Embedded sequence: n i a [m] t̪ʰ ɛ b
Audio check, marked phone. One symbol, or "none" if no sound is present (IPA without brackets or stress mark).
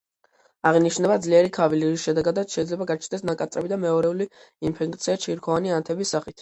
n